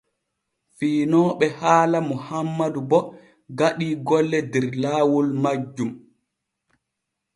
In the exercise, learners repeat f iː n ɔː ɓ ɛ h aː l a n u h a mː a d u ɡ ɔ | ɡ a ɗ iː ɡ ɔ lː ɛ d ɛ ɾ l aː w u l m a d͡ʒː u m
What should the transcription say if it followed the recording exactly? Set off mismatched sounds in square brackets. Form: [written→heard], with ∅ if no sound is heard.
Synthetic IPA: f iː n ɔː ɓ ɛ h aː l a [n→m] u h a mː a d u [ɡ→b] ɔ | ɡ a ɗ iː ɡ ɔ lː ɛ d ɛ ɾ l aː w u l m a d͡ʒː u m